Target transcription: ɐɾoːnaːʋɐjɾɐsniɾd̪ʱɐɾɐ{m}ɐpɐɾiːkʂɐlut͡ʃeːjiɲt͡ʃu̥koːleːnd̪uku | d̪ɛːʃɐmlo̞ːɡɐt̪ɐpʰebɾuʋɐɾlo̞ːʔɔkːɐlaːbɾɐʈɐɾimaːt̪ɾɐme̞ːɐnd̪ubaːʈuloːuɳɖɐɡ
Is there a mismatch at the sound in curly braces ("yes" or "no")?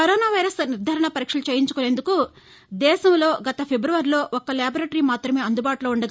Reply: yes